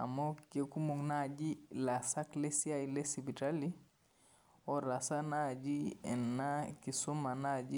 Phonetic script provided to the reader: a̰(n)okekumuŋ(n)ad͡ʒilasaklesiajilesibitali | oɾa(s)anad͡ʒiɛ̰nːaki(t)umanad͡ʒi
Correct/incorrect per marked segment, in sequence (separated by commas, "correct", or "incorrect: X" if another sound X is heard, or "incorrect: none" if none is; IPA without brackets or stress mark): incorrect: m, correct, correct, incorrect: s